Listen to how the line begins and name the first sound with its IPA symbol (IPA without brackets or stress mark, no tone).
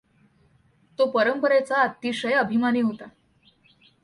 t̪